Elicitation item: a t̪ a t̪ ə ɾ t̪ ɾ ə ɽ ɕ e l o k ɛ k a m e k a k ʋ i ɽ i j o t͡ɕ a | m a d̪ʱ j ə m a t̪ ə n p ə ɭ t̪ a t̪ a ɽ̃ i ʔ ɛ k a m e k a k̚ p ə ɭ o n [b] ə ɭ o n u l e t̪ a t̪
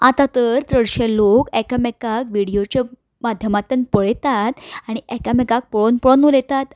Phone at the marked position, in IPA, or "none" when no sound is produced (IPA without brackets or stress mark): p